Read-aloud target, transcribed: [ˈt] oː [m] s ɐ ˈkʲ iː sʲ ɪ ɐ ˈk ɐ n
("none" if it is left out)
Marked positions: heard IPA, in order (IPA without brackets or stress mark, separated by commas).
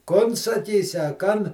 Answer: k, n